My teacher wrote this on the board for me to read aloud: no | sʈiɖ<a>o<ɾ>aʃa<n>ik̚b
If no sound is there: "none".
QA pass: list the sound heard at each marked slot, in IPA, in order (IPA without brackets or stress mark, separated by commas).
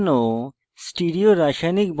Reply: i, ɾ, n